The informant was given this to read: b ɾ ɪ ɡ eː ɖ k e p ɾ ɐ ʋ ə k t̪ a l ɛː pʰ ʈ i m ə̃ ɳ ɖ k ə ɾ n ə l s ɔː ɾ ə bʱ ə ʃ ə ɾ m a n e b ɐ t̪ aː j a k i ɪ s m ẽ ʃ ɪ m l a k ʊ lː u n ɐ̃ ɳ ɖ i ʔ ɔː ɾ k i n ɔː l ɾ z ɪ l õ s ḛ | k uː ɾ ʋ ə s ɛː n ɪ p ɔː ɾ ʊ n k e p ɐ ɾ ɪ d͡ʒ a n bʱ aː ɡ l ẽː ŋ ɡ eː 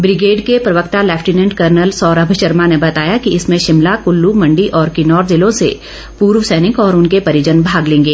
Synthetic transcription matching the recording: b ɾ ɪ ɡ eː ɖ k e p ɾ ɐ ʋ ə k t̪ a l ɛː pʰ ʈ i n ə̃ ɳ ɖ k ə ɾ n ə l s ɔː ɾ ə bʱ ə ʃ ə ɾ m a n e b ɐ t̪ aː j a k i ɪ s m ẽ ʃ ɪ m l a k ʊ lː u m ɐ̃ ɳ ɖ i ʔ ɔː ɾ k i n ɔː ɾ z ɪ l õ s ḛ | p uː ɾ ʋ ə s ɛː n ɪ k ɔː ɾ ʊ n k e p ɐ ɾ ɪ d͡ʒ ə n bʱ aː ɡ l ẽː ŋ ɡ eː